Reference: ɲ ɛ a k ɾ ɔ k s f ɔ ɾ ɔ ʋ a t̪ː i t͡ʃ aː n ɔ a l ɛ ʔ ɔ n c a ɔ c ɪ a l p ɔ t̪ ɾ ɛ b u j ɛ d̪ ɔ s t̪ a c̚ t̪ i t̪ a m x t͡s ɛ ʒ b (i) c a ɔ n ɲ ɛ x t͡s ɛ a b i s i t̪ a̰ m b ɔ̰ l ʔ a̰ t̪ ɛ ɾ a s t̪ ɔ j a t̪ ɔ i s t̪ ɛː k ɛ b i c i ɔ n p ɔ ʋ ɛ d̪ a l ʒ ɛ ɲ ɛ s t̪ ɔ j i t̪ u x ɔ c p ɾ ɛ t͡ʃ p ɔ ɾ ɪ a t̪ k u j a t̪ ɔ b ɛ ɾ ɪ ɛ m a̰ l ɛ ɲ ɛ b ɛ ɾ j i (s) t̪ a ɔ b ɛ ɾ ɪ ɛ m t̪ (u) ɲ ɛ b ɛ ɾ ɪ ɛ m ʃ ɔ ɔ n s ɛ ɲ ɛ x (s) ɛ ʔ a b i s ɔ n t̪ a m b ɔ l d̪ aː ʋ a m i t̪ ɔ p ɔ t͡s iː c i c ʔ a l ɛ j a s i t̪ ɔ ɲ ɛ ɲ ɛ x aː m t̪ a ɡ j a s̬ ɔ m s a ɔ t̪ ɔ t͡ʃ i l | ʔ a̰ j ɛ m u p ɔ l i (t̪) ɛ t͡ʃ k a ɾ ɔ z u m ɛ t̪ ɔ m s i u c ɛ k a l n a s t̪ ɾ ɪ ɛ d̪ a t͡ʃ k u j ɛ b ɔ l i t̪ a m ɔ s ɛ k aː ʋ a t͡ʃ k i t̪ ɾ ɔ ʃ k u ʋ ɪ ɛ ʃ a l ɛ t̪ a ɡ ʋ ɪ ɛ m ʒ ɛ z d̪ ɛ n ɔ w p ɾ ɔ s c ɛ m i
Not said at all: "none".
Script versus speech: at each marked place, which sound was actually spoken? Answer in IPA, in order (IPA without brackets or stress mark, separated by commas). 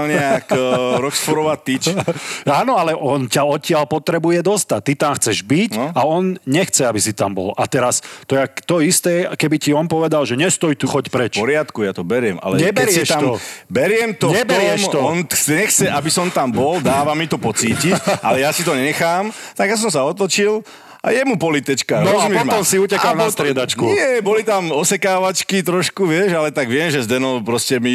i, ʃ, ɔ, t͡s, t̪